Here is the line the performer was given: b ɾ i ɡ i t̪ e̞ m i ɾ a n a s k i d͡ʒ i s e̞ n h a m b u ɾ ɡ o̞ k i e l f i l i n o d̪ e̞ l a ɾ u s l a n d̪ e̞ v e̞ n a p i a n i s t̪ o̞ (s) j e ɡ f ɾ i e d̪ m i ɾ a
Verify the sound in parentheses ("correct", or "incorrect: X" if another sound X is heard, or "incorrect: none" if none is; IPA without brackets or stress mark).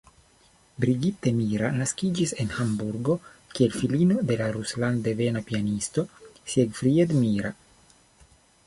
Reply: correct